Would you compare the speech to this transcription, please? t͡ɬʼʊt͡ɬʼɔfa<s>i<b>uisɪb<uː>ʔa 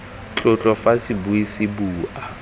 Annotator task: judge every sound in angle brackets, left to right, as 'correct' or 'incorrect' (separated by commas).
correct, correct, correct